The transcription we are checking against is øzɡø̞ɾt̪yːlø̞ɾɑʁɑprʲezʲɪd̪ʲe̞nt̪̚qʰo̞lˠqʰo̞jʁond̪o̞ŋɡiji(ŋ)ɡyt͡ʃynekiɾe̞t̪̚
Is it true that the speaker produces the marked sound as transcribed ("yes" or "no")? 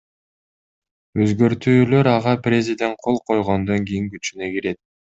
yes